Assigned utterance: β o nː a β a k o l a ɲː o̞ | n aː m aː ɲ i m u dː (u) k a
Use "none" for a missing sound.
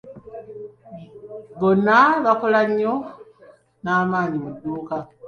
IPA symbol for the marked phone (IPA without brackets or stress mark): uː